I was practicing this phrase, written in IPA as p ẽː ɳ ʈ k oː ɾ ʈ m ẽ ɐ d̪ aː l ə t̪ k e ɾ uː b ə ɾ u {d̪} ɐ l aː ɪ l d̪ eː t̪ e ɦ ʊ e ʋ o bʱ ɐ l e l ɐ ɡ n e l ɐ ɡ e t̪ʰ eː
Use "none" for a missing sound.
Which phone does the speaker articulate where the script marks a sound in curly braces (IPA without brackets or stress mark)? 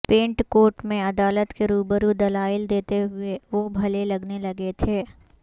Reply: d̪